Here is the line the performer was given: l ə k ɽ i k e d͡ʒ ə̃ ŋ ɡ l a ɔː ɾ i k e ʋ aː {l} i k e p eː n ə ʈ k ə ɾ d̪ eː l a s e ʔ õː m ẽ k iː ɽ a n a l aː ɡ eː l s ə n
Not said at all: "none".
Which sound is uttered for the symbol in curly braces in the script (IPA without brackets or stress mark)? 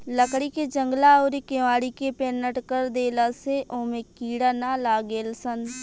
ɽ